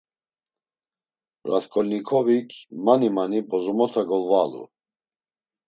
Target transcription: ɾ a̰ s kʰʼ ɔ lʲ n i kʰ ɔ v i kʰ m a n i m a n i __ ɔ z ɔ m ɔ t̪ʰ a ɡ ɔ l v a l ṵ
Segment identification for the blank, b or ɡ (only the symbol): b